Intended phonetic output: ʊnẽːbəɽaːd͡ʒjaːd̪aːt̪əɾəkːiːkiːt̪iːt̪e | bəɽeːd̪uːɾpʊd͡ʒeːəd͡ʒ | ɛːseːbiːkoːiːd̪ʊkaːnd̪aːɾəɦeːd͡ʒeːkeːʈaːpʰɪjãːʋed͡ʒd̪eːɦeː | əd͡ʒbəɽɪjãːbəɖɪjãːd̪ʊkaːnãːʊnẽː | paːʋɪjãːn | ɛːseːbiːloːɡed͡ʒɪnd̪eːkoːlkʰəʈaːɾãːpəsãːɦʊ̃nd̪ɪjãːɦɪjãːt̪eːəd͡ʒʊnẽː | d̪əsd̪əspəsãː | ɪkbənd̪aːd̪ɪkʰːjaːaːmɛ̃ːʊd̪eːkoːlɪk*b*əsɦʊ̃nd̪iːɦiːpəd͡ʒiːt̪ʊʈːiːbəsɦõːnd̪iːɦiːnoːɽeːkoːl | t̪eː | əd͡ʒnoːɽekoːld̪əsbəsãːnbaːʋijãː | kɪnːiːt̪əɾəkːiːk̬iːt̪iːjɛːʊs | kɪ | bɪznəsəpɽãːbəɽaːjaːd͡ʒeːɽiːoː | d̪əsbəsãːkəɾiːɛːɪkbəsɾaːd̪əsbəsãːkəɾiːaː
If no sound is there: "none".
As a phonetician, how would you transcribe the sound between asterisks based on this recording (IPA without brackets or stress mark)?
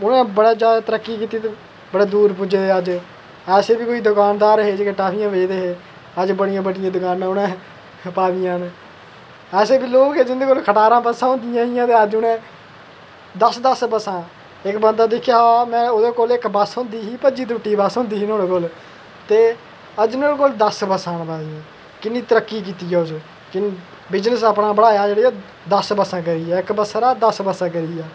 b